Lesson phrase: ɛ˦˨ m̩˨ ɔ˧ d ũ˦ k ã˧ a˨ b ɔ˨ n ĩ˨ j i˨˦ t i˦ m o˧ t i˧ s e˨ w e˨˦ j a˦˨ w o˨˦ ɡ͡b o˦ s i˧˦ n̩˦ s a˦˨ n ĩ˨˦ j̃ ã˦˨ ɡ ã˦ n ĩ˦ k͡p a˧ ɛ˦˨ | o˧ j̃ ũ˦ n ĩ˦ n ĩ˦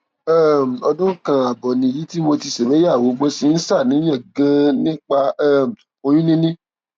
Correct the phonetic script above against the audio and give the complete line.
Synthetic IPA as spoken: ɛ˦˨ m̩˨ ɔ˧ d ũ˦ k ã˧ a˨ b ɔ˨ n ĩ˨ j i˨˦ t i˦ m o˧ t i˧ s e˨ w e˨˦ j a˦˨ w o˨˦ ɡ͡b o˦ s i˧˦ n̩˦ s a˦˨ n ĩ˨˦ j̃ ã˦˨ ɡ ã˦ n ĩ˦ k͡p a˧ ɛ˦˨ | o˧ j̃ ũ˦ n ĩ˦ n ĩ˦

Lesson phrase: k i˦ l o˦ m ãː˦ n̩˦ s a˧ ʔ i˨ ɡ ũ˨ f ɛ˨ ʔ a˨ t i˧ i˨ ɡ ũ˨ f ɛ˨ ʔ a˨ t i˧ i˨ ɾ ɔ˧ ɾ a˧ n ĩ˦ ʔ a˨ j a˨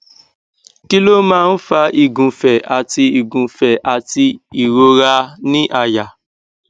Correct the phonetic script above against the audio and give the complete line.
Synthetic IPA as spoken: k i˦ l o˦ m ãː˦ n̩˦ f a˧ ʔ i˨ ɡ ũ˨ f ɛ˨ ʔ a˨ t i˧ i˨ ɡ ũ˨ f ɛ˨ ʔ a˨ t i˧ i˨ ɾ o˧ ɾ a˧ n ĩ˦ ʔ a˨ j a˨

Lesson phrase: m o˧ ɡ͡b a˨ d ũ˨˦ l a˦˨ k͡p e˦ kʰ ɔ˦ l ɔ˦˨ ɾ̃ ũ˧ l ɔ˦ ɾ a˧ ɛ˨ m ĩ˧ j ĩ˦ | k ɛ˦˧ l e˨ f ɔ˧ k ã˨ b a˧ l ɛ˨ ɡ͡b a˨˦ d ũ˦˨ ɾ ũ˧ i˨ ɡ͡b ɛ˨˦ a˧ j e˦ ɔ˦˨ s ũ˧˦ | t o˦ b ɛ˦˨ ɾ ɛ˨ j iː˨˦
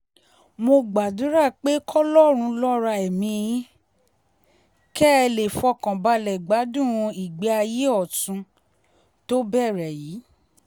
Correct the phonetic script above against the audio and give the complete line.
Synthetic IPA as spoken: m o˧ ɡ͡b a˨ d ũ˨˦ ɾ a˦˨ k͡p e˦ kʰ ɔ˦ l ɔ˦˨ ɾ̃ ũ˧ l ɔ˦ ɾ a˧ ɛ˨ m ĩ˧ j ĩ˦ | k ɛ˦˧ l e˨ f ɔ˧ k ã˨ b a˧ l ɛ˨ ɡ͡b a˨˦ d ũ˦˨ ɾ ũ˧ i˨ ɡ͡b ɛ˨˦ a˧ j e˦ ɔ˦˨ t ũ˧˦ | t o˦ b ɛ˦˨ ɾ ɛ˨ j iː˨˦

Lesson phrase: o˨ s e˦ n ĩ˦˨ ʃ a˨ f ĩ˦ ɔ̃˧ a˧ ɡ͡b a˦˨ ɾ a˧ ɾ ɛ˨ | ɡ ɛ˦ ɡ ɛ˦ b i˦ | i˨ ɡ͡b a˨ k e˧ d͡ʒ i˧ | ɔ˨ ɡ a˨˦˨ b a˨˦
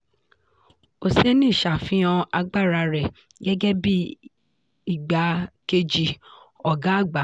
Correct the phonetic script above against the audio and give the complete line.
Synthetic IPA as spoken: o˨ s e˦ n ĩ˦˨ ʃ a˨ f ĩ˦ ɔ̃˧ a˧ ɡ͡b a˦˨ ɾ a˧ ɾ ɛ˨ | ɡ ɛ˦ ɡ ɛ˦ b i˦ | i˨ ɡ͡b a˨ k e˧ d͡ʒ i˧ | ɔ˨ ɡ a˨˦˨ ɡ͡b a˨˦

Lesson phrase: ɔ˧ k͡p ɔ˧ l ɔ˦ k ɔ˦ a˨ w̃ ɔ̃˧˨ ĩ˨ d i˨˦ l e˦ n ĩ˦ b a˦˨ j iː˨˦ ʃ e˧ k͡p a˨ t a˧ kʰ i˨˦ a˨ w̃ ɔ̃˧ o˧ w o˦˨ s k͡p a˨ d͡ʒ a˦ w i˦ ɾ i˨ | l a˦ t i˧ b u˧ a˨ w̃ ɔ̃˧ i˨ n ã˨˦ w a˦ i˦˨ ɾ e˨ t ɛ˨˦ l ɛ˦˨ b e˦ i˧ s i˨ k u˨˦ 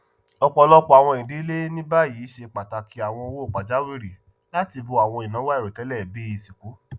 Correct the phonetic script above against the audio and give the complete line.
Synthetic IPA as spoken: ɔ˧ k͡p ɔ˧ l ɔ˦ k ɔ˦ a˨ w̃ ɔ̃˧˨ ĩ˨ d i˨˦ l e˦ n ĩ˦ b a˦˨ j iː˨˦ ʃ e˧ k͡p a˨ t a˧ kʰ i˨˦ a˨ w̃ ɔ̃˧ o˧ w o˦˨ k͡p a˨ d͡ʒ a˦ w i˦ ɾ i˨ | l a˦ t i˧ b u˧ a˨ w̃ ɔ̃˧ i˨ n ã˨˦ w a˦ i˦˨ ɾ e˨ t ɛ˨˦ l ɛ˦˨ b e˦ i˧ s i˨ k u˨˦

